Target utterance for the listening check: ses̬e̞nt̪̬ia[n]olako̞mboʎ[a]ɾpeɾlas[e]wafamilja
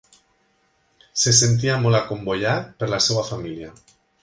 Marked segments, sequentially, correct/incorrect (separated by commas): incorrect, correct, correct